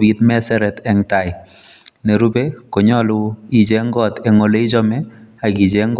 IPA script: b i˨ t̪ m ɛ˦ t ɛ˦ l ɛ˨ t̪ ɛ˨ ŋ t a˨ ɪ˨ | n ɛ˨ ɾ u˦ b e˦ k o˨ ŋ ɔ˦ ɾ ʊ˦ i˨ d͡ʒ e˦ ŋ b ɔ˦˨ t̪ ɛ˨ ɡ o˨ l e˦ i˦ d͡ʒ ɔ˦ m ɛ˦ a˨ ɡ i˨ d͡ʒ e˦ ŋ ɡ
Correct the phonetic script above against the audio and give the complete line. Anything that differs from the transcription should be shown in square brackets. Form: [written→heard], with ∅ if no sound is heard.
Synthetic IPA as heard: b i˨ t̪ m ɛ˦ [t→s] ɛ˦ [l→ɾ] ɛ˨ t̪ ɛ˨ ŋ t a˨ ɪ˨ | n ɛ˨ ɾ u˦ b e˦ k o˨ [ŋ→ɲ] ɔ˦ [ɾ→l] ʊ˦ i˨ d͡ʒ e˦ ŋ [b→ɡ] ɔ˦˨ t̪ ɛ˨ [ɡ→ŋ] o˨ l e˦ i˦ d͡ʒ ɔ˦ m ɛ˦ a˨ ɡ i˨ d͡ʒ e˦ ŋ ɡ